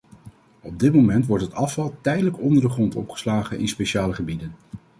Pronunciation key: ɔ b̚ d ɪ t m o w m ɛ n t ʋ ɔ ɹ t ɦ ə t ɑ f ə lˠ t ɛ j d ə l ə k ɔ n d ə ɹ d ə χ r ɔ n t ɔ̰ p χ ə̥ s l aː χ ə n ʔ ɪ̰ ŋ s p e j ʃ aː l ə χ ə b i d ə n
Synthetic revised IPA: ɔ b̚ d ɪ t m o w m ɛ n t ʋ ɔ ɹ t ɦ ə t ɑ f ɑ lˠ t ɛ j d ə l ə k ɔ n d ə ɹ d ə χ r ɔ n t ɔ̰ p χ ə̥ s l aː χ ə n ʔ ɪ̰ n s p e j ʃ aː l ə χ ə b i d ə n